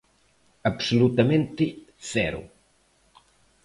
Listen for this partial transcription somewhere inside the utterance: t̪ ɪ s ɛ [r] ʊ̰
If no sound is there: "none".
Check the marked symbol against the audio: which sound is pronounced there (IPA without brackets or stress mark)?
ɾ